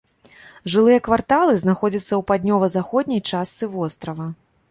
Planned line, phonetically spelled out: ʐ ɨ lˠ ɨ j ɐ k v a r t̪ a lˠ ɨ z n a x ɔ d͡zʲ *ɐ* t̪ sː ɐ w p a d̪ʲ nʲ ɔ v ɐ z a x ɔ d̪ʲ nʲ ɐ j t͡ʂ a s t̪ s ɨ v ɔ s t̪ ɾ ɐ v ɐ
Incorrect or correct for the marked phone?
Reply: correct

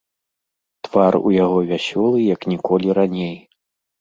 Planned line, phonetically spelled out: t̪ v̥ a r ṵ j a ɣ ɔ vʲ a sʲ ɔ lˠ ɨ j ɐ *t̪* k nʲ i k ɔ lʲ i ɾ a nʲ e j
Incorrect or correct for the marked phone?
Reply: incorrect: none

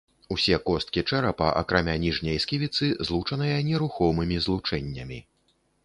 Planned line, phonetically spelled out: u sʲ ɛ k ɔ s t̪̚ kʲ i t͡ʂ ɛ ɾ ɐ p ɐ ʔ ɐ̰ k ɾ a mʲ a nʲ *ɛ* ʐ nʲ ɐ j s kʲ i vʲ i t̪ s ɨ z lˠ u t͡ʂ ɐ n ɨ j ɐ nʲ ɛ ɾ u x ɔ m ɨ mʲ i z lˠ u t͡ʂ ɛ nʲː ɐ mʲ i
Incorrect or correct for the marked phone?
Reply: incorrect: i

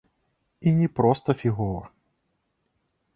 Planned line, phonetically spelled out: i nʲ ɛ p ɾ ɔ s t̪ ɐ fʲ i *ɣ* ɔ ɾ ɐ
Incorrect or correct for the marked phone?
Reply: correct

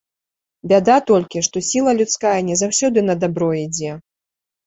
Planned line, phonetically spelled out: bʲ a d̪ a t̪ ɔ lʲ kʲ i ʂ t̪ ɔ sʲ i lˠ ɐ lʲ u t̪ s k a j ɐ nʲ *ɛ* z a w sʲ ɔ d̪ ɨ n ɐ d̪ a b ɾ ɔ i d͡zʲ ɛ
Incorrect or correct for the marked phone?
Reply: correct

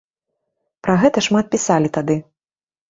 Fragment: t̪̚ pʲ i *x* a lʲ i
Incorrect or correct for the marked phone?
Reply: incorrect: s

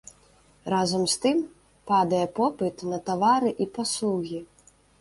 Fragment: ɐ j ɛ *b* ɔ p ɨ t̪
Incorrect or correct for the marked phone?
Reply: incorrect: p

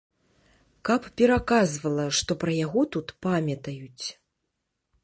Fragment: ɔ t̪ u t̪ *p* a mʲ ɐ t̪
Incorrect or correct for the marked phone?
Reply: correct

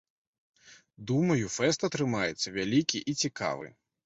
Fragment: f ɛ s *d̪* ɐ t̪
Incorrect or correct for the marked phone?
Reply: incorrect: t̪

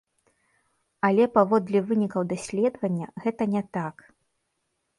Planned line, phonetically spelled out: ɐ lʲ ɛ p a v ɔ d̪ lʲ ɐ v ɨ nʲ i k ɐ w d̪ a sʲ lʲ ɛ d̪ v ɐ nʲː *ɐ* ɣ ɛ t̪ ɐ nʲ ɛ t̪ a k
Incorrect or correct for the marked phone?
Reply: correct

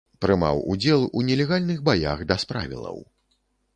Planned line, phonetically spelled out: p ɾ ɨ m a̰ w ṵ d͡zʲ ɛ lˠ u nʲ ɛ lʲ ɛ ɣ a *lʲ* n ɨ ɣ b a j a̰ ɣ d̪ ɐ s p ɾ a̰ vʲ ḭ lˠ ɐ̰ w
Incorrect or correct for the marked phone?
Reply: correct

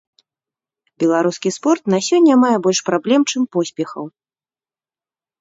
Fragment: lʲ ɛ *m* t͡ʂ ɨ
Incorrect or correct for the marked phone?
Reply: correct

